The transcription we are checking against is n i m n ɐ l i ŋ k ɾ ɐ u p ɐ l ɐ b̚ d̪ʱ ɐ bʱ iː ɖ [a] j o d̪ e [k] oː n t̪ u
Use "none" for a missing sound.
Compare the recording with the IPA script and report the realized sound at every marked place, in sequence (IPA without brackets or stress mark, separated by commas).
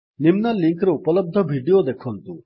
i, kʰ